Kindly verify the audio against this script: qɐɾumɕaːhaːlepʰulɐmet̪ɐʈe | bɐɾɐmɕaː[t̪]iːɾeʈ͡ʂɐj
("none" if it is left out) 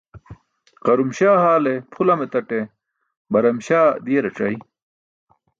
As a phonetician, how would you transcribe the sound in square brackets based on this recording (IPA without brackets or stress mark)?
d̪